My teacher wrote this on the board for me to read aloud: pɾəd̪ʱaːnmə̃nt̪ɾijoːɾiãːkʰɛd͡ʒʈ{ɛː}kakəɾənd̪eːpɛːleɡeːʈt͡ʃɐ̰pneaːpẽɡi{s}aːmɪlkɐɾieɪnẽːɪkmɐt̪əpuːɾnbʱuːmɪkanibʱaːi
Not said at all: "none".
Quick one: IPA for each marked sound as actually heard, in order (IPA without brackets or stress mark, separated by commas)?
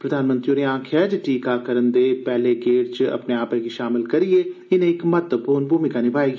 iː, ʃ